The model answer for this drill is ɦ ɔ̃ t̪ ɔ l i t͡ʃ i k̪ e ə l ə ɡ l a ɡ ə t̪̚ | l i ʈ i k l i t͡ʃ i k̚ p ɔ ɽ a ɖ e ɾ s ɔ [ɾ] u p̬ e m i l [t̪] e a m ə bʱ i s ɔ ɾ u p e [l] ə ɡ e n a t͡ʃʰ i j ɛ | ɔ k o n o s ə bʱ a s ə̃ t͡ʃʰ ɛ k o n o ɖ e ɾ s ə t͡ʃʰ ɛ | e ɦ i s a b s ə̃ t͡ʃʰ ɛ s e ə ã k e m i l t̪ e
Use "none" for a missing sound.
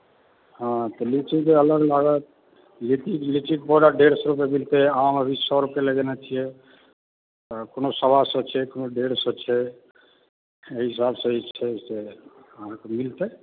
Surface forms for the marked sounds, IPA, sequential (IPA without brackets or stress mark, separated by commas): ɾ, t̪, l